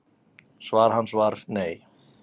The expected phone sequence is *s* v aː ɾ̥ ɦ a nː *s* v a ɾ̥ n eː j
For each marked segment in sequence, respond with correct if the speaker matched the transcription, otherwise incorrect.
correct, correct

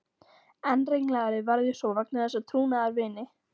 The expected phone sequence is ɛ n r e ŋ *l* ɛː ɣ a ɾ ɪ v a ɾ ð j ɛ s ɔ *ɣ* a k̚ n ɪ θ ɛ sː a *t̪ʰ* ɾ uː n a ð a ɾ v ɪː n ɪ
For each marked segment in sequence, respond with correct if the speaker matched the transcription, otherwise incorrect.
correct, incorrect: v, correct

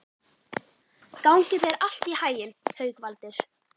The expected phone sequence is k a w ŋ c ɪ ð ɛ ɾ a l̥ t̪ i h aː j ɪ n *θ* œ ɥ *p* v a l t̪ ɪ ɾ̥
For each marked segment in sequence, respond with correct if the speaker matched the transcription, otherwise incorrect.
incorrect: h, incorrect: k

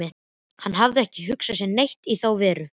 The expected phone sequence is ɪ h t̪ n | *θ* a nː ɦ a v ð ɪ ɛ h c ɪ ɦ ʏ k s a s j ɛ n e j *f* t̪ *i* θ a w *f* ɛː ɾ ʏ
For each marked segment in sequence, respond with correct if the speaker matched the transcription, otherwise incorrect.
incorrect: h, incorrect: h, correct, incorrect: v

